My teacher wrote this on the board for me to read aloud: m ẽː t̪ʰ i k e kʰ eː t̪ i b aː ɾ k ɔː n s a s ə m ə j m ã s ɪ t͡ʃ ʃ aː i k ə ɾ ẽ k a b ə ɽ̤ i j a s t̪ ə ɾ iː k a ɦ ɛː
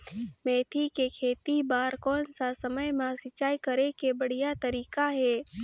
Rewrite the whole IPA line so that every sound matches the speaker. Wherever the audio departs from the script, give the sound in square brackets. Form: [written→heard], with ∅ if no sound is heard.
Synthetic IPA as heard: m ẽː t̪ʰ i k e kʰ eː t̪ i b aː ɾ k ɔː n s a s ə m ə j m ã s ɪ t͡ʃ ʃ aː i k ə ɾ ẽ k [a→e] b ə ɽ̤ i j a [s→∅] t̪ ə ɾ iː k a ɦ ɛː